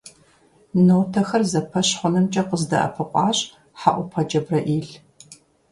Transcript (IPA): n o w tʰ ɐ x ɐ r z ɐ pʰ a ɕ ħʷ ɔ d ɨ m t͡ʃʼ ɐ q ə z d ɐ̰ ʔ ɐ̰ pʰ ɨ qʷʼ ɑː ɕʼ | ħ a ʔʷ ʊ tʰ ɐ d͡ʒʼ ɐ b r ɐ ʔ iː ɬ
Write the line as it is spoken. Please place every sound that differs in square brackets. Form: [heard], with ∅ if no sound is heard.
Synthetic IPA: n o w tʰ ɐ x ɐ r z ɐ pʰ [ɐ] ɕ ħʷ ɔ [n] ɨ m t͡ʃʼ ɐ q ə z d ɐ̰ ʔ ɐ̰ pʰ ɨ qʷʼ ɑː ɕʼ | ħ a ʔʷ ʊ [pʰ] ɐ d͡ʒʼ ɐ b r ɐ ʔ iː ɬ